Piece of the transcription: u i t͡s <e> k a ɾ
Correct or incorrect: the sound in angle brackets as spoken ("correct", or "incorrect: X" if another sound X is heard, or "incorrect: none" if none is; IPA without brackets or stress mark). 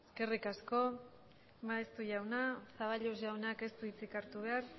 incorrect: i